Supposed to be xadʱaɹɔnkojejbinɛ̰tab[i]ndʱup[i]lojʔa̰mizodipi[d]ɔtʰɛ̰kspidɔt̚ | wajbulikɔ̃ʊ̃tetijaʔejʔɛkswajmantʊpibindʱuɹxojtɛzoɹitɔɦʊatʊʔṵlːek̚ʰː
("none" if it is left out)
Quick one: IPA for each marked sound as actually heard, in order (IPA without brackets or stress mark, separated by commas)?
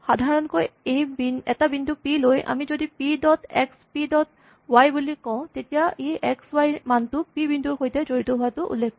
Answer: i, i, d